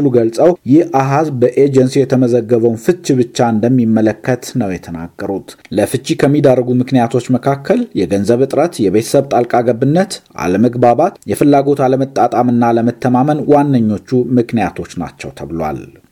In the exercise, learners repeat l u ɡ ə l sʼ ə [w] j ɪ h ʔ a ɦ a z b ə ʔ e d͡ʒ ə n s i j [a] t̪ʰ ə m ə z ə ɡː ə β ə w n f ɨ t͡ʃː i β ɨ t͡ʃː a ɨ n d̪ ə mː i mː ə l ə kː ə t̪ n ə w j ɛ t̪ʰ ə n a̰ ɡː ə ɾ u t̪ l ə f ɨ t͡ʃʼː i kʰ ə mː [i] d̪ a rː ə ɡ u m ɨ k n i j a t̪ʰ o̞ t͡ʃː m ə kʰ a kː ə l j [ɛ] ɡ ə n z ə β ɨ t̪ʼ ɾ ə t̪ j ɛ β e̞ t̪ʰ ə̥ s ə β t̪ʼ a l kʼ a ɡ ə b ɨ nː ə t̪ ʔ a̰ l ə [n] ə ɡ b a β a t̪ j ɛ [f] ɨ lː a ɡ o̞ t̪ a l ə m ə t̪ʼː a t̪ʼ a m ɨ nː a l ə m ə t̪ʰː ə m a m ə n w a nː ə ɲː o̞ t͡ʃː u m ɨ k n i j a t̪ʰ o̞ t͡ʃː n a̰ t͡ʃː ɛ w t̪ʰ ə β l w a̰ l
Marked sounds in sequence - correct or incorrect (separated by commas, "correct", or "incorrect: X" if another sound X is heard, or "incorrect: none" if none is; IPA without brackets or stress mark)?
correct, incorrect: ɛ, correct, correct, incorrect: m, correct